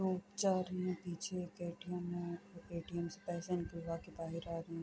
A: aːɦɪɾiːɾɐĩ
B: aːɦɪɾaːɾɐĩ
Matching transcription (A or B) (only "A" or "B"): B